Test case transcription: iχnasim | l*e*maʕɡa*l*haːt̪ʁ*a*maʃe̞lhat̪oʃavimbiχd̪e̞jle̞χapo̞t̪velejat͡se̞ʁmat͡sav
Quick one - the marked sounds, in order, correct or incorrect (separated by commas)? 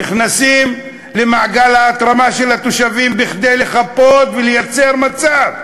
correct, correct, correct